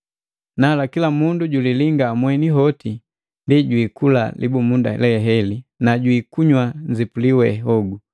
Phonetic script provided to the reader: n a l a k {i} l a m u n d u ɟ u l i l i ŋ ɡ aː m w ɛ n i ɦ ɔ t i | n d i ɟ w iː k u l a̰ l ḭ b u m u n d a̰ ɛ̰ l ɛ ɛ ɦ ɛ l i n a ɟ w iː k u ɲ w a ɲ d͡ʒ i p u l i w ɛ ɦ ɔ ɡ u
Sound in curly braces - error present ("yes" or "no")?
no